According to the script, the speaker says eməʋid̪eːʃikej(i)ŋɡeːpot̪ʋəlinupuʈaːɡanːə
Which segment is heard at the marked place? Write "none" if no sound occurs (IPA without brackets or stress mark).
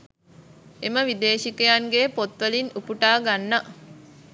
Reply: a